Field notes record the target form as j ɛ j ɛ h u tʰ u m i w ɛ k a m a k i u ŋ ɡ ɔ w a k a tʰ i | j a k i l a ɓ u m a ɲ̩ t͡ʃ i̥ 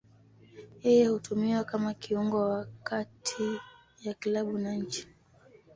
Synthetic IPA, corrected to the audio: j ɛ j ɛ h u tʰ u m i w a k a m a k i u ŋ ɡ ɔ w a k a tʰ i | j a k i l a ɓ u n a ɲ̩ t͡ʃ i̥